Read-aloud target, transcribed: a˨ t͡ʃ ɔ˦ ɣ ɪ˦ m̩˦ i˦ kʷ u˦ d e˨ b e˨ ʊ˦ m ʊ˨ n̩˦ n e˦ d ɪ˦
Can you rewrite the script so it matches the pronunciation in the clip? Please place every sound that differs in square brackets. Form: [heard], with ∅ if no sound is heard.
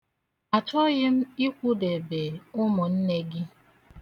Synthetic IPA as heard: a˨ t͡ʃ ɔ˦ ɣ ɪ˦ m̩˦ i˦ kʷ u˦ d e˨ b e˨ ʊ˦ m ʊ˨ n̩˦ n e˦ [ɡ] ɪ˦